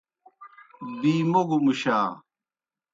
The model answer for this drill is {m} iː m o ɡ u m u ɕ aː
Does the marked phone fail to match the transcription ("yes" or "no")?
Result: yes